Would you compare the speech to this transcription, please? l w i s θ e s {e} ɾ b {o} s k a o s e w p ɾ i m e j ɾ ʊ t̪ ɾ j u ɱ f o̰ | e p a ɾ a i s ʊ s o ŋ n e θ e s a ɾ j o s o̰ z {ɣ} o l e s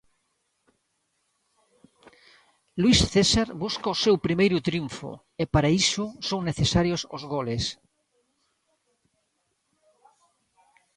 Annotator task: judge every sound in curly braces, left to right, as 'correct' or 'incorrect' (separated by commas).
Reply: incorrect, incorrect, correct